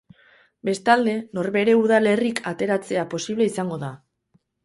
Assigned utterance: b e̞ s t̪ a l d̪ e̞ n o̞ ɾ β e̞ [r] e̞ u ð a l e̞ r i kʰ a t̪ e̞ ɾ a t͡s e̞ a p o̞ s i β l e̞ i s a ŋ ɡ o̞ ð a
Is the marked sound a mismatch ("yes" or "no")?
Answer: yes